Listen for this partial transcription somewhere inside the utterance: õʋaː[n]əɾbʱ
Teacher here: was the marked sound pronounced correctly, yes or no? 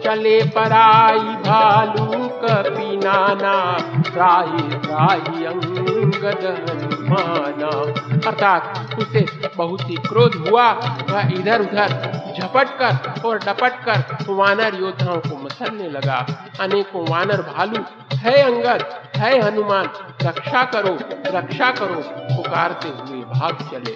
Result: yes